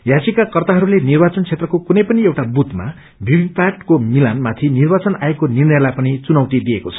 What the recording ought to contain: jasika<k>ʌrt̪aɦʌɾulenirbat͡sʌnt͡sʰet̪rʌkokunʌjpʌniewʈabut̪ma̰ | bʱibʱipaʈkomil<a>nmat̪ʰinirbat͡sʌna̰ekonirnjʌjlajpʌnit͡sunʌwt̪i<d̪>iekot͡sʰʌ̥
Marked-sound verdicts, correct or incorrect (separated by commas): correct, correct, correct